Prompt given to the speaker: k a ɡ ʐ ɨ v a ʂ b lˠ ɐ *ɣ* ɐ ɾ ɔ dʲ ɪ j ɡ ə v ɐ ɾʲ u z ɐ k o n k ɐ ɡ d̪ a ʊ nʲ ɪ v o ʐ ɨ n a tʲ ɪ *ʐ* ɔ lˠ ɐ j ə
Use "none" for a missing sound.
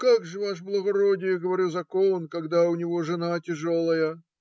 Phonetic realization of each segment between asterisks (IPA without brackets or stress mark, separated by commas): ɣ, ʐ